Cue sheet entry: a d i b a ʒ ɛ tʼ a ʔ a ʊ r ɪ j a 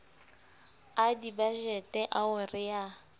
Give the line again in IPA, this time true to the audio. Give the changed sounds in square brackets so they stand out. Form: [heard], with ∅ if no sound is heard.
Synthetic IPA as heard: a d i b a ʒ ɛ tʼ [ɛ] ʔ a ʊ r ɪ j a